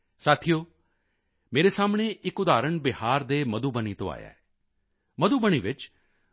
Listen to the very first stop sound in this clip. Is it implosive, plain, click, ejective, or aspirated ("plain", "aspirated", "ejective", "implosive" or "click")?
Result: aspirated